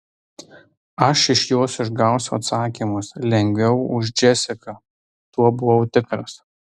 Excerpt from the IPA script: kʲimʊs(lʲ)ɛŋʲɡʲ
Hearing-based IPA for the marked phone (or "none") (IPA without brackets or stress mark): lʲ